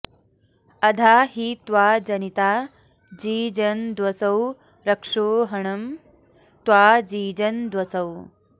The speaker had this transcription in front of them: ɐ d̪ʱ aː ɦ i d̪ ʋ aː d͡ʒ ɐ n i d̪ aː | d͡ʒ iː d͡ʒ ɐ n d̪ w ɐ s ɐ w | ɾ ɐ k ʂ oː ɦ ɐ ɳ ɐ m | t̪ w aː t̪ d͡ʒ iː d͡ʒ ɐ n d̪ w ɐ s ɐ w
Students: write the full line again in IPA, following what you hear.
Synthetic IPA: ɐ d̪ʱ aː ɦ i t̪ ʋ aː d͡ʒ ɐ n i t̪ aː | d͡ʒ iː d͡ʒ ɐ n d̪ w ɐ s ɐ w | ɾ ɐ k ʂ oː ɦ ɐ ɳ ɐ m | t̪ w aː d͡ʒ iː d͡ʒ ɐ n d̪ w ɐ s ɐ w

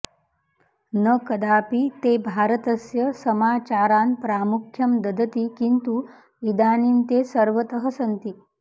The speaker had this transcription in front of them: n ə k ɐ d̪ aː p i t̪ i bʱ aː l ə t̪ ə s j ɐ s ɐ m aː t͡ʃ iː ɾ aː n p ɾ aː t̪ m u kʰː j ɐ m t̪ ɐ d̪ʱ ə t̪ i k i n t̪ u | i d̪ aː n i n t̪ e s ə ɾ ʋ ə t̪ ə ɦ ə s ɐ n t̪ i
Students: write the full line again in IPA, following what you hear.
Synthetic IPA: n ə k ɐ d̪ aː p i t̪ e bʱ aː ɾ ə t̪ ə s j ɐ s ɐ m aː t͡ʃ aː ɾ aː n p ɾ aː m u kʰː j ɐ m d̪ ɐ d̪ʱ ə t̪ i k i n t̪ u | i d̪ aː n i n t̪ e s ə ɾ ʋ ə t̪ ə ɦ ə s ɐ n t̪ i

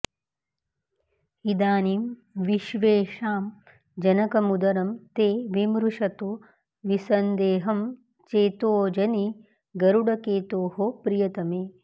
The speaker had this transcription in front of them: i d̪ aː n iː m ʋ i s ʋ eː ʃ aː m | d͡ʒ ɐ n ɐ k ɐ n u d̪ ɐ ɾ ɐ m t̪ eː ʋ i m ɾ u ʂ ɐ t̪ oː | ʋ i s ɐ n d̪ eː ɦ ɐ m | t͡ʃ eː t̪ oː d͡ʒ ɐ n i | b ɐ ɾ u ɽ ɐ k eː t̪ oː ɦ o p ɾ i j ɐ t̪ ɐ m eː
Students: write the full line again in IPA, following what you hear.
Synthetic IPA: i d̪ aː n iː m ʋ i ʃ ʋ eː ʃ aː m | d͡ʒ ɐ n ɐ k ɐ m u d̪ ɐ ɾ ɐ m t̪ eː ʋ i m ɾ u ʂ ɐ t̪ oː | ʋ i s ɐ n d̪ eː ɦ ɐ m | t͡ʃ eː t̪ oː d͡ʒ ɐ n i | ɡ ɐ ɾ u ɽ ɐ k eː t̪ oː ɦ o p ɾ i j ɐ t̪ ɐ m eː

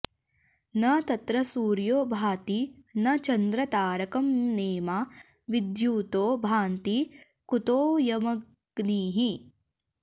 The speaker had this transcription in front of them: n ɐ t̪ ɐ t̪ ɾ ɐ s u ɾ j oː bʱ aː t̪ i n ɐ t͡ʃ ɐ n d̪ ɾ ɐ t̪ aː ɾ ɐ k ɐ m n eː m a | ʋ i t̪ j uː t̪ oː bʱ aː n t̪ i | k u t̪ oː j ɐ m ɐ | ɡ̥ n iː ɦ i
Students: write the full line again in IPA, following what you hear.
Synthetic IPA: n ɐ t̪ ɐ t̪ ɾ ɐ s uː ɾ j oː bʱ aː t̪ i n ɐ t͡ʃ ɐ n d̪ ɾ ɐ t̪ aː ɾ ɐ k ɐ m n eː m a | ʋ i d̪ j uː t̪ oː bʱ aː n t̪ i | k u t̪ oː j ɐ m ɐ | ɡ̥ n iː ɦ i

